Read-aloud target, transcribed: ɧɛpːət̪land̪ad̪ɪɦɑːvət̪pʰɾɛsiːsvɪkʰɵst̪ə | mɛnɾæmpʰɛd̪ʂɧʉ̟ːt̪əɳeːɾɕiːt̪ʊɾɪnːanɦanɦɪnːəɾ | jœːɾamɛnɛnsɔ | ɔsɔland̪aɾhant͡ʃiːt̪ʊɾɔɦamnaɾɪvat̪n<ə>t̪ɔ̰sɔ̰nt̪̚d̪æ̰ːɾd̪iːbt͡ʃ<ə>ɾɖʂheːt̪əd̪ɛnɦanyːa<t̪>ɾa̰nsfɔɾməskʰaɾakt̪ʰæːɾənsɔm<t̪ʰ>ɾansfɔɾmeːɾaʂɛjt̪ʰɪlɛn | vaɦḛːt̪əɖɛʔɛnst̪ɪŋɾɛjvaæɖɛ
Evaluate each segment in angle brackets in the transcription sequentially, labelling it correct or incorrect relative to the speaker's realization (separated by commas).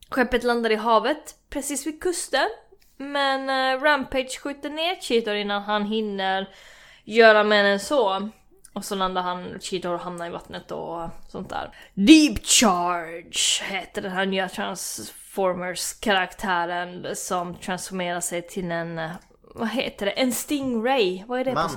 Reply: correct, incorrect, incorrect, correct